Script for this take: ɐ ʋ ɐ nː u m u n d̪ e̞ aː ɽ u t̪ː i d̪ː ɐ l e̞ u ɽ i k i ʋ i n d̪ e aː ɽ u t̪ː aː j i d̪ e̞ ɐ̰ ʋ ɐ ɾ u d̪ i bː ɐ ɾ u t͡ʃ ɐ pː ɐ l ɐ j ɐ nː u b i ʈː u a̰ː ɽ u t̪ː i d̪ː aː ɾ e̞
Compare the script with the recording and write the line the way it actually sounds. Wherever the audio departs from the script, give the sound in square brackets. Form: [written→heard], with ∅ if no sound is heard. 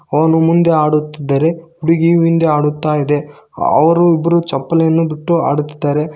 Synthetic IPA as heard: ɐ ʋ ɐ [nː→n] u m u n d̪ e̞ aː ɽ u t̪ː i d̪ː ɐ [l→ɾ] e̞ u ɽ i [k→ɡ] i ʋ i n d̪ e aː ɽ u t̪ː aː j i d̪ e̞ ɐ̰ ʋ ɐ ɾ u [d̪→∅] i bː ɐ ɾ u t͡ʃ ɐ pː ɐ l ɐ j ɐ nː u b i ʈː u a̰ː ɽ u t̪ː i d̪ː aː ɾ e̞